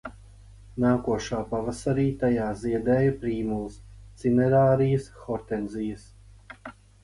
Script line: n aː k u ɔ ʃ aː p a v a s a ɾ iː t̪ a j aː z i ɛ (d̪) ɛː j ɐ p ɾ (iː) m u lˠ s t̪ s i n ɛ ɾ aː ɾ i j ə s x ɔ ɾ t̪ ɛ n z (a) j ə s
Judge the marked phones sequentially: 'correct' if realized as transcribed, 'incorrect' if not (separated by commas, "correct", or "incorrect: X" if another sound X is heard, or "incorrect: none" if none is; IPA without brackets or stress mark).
correct, correct, incorrect: i